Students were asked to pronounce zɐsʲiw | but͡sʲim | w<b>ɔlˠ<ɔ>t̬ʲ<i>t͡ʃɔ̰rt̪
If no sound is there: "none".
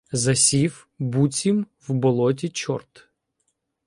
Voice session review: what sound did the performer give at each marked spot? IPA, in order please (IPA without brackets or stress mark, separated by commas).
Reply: b, ɔ, i